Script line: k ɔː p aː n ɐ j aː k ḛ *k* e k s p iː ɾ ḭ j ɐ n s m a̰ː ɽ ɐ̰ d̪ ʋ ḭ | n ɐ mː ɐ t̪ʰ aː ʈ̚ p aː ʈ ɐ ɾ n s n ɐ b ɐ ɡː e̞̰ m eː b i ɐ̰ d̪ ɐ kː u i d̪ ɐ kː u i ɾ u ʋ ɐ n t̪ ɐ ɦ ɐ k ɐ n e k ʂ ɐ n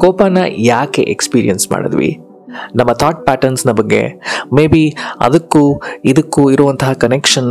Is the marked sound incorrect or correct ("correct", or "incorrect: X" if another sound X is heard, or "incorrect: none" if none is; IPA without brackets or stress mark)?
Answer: incorrect: ʔ